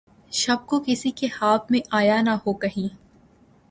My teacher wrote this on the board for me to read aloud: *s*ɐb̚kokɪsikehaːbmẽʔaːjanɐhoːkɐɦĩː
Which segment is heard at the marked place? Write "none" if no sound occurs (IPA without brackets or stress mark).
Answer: ʃ